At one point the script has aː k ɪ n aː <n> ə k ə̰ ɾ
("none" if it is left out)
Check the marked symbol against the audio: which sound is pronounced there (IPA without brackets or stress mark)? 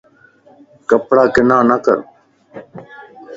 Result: n